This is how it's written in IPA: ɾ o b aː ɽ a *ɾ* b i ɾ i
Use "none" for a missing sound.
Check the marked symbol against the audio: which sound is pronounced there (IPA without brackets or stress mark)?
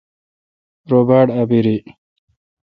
none